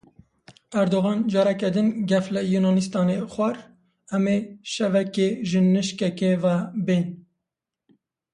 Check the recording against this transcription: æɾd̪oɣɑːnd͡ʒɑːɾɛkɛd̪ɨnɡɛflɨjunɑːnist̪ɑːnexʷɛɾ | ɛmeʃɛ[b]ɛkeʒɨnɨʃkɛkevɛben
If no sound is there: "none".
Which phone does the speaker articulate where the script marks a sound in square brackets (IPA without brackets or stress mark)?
v